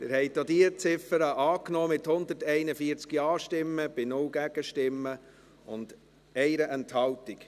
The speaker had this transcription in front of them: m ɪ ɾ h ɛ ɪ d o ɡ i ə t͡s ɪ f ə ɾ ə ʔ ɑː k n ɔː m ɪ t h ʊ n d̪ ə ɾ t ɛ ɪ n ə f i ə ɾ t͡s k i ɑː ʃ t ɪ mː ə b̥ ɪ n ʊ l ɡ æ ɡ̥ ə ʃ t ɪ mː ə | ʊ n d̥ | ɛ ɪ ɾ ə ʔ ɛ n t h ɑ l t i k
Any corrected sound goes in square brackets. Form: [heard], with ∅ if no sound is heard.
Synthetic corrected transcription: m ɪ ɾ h ɛ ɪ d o [d] i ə t͡s ɪ f ə ɾ ə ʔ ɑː k n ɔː m ɪ t h ʊ n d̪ ə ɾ t ɛ ɪ n ə f i ə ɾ t͡s k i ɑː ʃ t ɪ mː ə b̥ ɪ n ʊ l ɡ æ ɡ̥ ə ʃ t ɪ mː ə | ʊ n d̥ | ɛ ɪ ɾ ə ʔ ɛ n t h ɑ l t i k